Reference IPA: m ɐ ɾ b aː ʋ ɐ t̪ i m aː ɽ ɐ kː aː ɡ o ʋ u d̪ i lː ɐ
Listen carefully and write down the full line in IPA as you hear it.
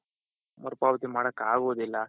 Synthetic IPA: m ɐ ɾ p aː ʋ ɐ t̪ i m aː ɽ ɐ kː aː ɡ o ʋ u d̪ i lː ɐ

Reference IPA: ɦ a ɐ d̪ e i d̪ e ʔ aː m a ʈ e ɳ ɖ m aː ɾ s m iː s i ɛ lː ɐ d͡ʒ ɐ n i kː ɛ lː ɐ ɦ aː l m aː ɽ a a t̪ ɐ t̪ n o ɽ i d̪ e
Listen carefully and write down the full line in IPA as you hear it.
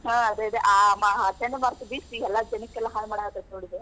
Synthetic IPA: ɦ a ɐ d̪ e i d̪ e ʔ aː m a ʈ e ɳ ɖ m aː ɾ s b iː s i ɛ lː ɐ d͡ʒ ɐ n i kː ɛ lː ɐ ɦ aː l m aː ɽ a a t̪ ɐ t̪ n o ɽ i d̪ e

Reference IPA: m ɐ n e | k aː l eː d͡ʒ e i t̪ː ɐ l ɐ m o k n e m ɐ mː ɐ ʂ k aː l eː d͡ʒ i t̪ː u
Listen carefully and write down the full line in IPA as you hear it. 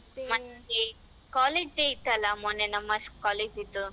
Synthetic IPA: m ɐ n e | k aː l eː d͡ʒ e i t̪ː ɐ l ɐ m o n e n ɐ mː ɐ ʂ k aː l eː d͡ʒ i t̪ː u

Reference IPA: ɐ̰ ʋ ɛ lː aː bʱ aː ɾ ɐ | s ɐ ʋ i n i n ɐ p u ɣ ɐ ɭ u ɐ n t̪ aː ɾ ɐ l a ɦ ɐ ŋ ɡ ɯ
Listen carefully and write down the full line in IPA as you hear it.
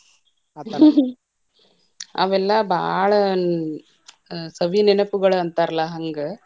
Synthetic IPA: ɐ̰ ʋ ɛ lː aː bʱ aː ɭ ɐ | s ɐ ʋ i n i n ɐ p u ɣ ɐ ɭ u ɐ n t̪ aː ɾ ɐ l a ɦ ɐ ŋ ɡ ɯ

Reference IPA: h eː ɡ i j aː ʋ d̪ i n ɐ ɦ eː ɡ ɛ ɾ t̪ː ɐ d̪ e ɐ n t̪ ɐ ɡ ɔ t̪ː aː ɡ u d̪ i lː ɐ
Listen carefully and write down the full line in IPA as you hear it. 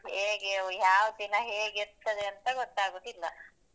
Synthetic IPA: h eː ɡ e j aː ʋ d̪ i n ɐ ɦ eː ɡ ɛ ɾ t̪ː ɐ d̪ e ɐ n t̪ ɐ ɡ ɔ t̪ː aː ɡ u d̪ i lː ɐ

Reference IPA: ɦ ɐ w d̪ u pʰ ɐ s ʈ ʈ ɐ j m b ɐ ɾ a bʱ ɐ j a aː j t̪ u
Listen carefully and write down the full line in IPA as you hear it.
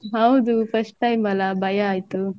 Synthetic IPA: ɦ ɐ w d̪ u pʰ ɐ s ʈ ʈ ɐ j m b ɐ l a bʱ ɐ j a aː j t̪ u

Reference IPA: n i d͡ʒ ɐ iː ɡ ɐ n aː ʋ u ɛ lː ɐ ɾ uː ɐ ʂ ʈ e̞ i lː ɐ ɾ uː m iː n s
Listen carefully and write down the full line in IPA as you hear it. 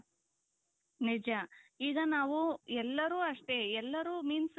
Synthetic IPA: n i d͡ʒ ɐ iː ɡ ɐ n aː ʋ u ɛ lː ɐ ɾ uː ɐ ʂ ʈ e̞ ɛ lː ɐ ɾ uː m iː n s

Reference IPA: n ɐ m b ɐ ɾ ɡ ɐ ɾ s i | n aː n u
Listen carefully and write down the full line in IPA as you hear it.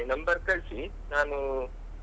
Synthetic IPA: n ɐ m b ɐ ɾ k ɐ ɭ s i | n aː n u

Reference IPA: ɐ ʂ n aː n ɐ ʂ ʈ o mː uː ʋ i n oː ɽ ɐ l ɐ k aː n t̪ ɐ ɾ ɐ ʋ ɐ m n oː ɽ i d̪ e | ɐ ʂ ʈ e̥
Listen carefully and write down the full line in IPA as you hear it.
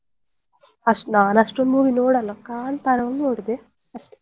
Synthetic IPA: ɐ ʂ n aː n ɐ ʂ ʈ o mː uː ʋ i n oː ɽ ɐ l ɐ k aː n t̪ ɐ ɾ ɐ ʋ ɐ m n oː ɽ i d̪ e | ɐ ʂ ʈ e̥

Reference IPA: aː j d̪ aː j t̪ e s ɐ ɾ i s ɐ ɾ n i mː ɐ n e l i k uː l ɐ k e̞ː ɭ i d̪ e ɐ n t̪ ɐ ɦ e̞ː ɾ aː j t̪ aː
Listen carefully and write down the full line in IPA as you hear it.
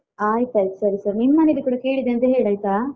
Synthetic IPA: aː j t̪ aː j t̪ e s ɐ ɾ i s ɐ ɾ n i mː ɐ n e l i k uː ɽ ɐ k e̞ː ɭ i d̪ e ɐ n t̪ ɐ ɦ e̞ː ɭ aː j t̪ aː

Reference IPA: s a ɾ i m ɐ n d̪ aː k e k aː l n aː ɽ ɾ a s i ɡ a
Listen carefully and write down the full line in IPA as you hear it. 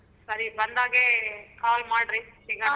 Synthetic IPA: s ɐ ɾ i b ɐ n d̪ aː ɡ e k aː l m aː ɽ ɾ i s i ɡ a

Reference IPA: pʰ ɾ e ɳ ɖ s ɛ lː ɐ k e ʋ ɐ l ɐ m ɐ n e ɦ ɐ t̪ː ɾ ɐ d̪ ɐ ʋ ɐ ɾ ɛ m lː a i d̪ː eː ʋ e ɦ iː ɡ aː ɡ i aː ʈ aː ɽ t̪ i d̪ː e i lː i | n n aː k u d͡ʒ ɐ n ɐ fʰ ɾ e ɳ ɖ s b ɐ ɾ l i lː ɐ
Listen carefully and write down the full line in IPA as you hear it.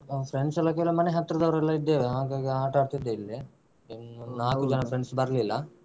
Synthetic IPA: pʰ ɾ e ɳ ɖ s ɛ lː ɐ k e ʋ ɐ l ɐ m ɐ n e ɦ ɐ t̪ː ɾ ɐ d̪ ɐ ʋ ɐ ɾ ɛ lː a i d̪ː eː ʋ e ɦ aː ɡ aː ɡ i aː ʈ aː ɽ t̪ i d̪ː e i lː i | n n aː k u d͡ʒ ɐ n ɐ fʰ ɾ e ɳ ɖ s b ɐ ɾ l i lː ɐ

